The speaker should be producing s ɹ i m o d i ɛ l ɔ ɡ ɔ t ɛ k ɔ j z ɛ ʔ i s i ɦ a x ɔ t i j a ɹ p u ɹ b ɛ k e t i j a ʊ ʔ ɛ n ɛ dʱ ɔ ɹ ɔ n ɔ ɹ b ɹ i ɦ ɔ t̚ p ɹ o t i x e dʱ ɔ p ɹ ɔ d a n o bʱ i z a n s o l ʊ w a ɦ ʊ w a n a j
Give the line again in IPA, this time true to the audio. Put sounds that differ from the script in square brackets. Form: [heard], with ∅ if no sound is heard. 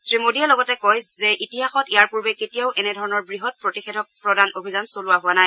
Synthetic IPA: s ɹ i m o d i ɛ l ɔ ɡ ɔ t ɛ k ɔ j z ɛ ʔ i [t] i ɦ a x ɔ t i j a ɹ p u ɹ b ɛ k e t i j a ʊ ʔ ɛ n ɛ dʱ ɔ ɹ ɔ n ɔ ɹ b ɹ i ɦ ɔ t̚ p ɹ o t i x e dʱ ɔ p ɹ ɔ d a n o bʱ i z a n s o l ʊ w a ɦ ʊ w a n a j